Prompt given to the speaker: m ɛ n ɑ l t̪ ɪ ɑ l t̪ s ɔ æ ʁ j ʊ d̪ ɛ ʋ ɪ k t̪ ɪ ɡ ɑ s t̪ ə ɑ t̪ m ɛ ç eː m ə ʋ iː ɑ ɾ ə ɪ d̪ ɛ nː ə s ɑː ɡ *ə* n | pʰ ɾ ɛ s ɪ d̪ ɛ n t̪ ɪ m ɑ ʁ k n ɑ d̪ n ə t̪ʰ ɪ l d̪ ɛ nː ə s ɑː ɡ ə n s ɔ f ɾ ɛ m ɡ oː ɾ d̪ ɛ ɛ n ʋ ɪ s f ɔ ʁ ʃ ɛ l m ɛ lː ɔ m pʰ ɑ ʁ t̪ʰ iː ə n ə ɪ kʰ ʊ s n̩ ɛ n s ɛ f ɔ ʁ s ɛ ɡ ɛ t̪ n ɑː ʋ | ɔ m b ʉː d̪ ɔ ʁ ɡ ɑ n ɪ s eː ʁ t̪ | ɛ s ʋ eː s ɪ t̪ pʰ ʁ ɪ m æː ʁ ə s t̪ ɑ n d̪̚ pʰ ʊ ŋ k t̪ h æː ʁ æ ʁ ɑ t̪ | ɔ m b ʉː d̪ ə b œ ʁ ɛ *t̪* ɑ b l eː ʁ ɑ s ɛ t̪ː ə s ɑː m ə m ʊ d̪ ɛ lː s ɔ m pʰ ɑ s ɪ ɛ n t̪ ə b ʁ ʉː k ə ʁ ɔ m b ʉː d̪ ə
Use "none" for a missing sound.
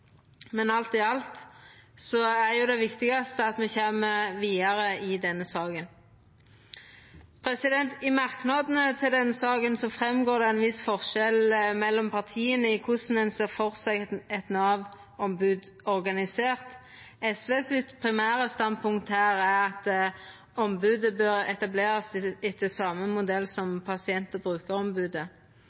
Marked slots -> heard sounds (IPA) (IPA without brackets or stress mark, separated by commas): ə, t̪